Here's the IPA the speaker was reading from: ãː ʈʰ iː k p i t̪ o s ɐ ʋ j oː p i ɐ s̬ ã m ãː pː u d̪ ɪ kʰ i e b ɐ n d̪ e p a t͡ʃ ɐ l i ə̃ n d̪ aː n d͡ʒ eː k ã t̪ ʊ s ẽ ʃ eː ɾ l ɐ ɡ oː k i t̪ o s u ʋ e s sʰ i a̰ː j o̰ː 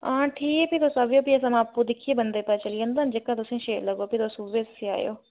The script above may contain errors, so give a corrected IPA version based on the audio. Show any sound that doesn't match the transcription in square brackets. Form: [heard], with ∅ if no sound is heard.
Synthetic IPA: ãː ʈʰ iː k p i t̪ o s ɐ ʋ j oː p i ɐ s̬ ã m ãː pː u d̪ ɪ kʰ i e b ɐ n d̪ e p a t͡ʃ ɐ l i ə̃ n d̪ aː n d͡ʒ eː k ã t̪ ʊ s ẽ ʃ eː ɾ l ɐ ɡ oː [p] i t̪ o s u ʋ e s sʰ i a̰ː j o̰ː

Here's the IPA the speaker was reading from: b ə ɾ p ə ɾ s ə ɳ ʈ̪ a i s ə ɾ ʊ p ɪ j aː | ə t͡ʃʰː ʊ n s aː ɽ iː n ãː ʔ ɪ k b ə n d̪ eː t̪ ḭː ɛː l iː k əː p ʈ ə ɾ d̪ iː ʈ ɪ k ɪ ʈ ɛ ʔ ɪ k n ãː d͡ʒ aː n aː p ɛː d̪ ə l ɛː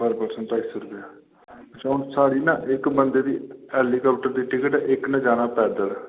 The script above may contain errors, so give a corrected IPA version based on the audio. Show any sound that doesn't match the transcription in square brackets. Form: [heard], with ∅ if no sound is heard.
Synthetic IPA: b ə ɾ p ə ɾ s ə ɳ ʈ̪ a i s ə ɾ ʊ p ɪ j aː | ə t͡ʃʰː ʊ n s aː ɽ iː n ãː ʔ ɪ k b ə n d̪ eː [d̪] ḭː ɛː l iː k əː p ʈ ə ɾ d̪ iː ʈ ɪ k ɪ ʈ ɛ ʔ ɪ k n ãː d͡ʒ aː n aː p ɛː d̪ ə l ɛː

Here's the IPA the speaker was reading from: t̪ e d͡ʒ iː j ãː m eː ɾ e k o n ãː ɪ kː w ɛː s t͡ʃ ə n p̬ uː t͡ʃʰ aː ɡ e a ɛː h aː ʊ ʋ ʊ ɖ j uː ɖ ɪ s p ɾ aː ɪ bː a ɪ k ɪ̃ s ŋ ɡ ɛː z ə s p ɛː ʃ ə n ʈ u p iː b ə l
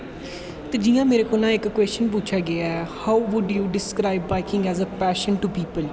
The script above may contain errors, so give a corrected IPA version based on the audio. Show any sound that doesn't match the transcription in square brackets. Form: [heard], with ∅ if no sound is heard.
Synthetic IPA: t̪ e d͡ʒ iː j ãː m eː ɾ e k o n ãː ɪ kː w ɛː s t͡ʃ ə n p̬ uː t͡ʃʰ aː ɡ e a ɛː h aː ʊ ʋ ʊ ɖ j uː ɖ ɪ s [k] ɾ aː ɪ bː a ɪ k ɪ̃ [∅] ŋ ɡ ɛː z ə [∅] p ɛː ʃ ə n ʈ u p iː [p] ə l

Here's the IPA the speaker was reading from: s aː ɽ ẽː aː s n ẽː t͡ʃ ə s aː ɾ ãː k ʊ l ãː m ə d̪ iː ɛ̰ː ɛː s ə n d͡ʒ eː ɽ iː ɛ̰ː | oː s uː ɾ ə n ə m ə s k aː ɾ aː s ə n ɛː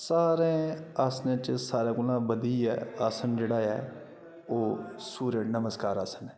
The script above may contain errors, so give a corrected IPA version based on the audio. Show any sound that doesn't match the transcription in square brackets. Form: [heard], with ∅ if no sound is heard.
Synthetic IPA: s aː [ɾ] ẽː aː s n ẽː t͡ʃ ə s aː ɾ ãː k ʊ l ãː [b] ə d̪ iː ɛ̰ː [aː] s ə n d͡ʒ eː ɽ [aː] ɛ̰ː | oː s uː ɾ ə n ə m ə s k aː ɾ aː s ə n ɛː

